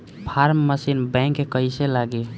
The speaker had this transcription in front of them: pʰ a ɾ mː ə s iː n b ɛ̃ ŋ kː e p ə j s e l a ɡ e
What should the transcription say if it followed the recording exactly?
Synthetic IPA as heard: pʰ a ɾ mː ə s i n b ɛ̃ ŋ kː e k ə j s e l a ɡ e